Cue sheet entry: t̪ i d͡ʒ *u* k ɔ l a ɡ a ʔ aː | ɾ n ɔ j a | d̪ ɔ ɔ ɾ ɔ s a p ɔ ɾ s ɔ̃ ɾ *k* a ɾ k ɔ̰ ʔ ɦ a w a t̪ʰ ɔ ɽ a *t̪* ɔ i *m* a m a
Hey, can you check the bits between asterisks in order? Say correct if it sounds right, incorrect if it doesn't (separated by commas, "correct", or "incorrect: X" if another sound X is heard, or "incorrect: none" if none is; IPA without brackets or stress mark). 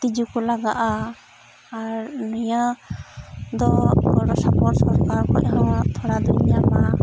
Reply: correct, correct, incorrect: d̪, incorrect: ɲ